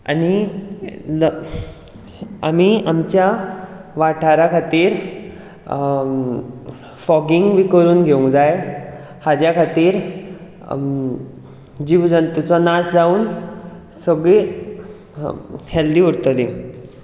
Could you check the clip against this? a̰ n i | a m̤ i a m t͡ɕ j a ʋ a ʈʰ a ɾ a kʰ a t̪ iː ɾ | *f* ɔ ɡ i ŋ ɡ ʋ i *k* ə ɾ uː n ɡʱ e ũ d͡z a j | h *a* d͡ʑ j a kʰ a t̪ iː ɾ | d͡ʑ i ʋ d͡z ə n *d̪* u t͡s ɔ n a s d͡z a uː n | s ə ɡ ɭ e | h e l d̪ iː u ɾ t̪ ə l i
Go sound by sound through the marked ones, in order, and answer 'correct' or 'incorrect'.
correct, correct, correct, incorrect: t̪

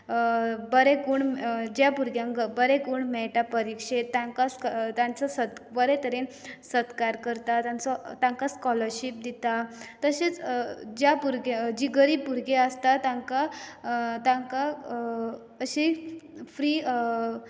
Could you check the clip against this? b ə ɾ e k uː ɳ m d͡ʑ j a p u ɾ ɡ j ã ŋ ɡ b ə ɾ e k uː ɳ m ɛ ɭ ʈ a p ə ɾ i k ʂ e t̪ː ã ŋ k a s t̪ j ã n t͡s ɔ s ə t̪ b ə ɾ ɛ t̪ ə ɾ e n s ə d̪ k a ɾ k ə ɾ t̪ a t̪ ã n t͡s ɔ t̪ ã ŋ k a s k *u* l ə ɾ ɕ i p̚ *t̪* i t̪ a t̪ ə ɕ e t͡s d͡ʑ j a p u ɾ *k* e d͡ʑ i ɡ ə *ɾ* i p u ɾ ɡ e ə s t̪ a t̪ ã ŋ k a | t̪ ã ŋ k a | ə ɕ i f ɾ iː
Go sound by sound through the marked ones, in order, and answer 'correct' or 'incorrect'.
incorrect: ɔ, incorrect: d̪, incorrect: ɡ, correct

